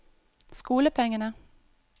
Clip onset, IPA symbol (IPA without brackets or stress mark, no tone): s